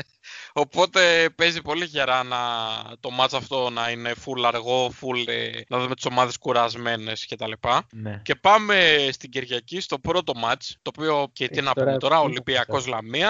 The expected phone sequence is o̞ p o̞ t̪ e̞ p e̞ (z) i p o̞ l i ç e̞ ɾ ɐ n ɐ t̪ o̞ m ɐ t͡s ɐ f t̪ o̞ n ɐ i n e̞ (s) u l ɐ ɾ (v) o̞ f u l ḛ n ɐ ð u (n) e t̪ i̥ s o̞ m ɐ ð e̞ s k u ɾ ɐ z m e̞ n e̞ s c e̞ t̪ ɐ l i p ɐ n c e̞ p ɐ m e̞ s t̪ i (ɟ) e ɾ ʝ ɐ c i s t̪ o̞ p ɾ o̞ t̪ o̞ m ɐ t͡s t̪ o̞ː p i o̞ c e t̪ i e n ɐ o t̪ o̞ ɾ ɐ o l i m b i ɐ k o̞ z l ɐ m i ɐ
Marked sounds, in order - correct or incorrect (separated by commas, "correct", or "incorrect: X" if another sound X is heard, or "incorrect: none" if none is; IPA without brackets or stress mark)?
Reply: correct, incorrect: f, incorrect: ɣ, incorrect: m, correct